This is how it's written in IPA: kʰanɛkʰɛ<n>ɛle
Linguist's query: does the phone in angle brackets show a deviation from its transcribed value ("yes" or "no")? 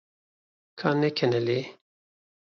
no